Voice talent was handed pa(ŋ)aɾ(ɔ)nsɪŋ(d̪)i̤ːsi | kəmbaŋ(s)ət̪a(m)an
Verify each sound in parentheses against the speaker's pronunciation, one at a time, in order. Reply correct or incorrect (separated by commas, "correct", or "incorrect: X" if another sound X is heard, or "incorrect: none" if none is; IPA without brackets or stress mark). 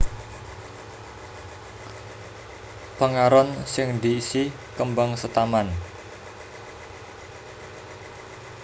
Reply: correct, correct, correct, correct, correct